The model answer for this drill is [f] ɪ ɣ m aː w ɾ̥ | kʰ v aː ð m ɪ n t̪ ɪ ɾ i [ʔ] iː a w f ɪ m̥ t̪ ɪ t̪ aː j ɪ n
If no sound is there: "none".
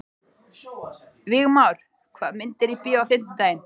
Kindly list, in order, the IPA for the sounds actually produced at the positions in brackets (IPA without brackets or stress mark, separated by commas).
v, p